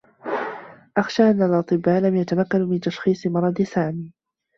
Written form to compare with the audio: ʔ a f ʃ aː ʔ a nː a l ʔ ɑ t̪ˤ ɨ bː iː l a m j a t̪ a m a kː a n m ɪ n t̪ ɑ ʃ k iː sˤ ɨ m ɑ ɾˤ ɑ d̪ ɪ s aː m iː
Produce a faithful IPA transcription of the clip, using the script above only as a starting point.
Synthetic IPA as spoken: ʔ a x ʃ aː ʔ a nː a l ʔ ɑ t̪ˤ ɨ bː aː l a m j a t̪ a m a kː a n m ɪ n t̪ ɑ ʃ x iː sˤ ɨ m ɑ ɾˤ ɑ d̪ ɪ s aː m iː